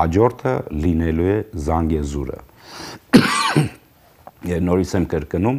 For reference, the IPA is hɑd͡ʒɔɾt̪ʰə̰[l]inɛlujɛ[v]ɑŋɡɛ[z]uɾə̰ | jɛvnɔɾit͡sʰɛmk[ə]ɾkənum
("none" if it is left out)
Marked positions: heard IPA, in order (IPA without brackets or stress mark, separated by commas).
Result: l, z, z, ə